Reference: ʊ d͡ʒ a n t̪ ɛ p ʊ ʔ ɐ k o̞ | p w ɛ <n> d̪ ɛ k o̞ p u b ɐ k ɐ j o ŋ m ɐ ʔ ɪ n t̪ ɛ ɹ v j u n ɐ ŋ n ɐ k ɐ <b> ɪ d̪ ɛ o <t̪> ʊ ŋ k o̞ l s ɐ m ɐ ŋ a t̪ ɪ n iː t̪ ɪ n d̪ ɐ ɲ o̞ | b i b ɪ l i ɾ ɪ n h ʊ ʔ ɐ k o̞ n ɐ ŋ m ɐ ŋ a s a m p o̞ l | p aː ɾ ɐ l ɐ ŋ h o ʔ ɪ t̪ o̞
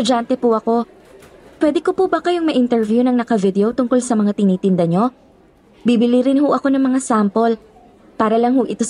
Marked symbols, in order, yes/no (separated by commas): no, no, yes